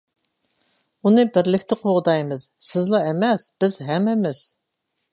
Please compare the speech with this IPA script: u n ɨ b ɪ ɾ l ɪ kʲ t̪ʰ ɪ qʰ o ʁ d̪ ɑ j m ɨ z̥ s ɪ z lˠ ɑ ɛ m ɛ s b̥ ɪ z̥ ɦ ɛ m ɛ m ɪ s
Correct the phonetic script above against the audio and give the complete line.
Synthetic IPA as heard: u n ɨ b ɪ ɾ l ɪ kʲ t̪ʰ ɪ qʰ o ʁ d̪ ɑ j m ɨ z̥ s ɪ z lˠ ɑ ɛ m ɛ s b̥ ɪ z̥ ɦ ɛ m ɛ m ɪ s